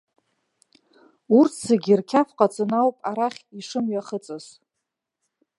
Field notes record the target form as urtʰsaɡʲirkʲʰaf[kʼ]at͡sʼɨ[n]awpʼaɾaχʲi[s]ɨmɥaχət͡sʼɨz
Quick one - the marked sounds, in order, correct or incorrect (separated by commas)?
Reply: incorrect, correct, incorrect